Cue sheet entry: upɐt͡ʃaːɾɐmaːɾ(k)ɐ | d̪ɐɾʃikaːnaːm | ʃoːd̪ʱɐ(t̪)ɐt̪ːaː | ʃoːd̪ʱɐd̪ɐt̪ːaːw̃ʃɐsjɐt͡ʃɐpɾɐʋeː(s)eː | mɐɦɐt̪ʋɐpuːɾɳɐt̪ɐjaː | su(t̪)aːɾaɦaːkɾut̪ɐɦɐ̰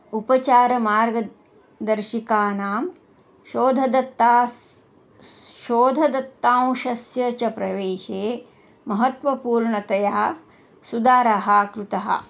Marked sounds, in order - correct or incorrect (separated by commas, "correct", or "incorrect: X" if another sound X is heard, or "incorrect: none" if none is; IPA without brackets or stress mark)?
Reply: incorrect: ɡ, incorrect: d̪, incorrect: ʃ, incorrect: d̪